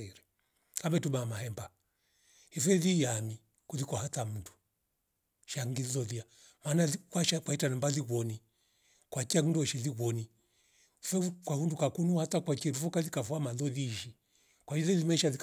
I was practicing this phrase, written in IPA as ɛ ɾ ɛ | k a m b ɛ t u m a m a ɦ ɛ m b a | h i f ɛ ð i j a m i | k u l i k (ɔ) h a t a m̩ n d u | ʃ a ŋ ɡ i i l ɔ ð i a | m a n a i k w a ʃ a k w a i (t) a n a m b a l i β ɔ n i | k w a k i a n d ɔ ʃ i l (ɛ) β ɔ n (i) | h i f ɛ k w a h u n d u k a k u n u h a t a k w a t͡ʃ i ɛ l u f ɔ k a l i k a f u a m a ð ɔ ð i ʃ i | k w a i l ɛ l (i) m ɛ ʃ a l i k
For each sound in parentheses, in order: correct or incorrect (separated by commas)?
correct, correct, incorrect, correct, correct